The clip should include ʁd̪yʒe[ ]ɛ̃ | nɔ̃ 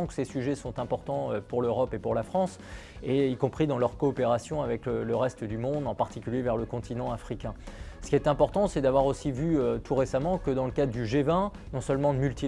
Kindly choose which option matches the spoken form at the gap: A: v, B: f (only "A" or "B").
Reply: A